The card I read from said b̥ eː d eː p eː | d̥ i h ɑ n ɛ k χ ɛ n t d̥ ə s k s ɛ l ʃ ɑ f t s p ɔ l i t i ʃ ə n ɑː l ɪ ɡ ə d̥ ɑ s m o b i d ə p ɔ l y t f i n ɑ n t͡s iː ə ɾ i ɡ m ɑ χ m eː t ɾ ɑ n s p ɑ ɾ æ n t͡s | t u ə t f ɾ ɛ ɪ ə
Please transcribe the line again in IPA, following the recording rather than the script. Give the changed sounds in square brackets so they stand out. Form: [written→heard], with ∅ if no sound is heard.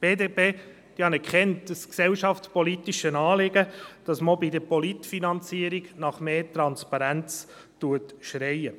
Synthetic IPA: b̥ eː d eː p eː | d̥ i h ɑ n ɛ k χ ɛ n t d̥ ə s k s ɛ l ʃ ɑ f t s p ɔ l i t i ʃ ə n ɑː l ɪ ɡ ə d̥ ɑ s m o b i d ə p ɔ l [y→i] t f i n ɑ n t͡s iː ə ɾ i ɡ [m→n] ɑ χ m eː t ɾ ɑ n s p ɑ ɾ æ n t͡s | t u ə t [f→ʃ] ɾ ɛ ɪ ə